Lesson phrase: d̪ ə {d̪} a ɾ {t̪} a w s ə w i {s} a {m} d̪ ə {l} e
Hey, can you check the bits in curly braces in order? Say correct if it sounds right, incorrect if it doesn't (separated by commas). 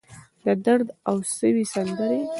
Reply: correct, incorrect, correct, incorrect, incorrect